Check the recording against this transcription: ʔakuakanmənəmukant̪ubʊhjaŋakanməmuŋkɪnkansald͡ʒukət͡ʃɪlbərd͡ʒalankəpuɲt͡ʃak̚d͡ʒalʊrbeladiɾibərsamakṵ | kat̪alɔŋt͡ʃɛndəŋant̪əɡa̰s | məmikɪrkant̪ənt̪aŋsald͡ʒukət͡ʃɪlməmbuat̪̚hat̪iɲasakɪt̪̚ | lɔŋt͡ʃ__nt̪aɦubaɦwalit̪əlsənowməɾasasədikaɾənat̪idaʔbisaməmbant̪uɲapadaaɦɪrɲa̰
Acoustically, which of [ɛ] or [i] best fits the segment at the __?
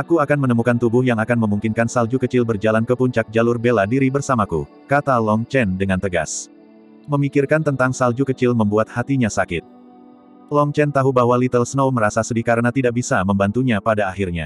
ɛ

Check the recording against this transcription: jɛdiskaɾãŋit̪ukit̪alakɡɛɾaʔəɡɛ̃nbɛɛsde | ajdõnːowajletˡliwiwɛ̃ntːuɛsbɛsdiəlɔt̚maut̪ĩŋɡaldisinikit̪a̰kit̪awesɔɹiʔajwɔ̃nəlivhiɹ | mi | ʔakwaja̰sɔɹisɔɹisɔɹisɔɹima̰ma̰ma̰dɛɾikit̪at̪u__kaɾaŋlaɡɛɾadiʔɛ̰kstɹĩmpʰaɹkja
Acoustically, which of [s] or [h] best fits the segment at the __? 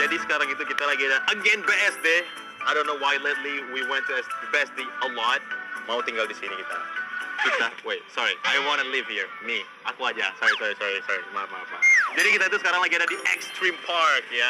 s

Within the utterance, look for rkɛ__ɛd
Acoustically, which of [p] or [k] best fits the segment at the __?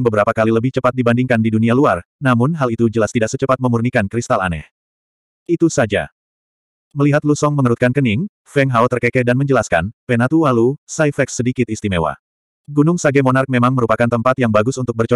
k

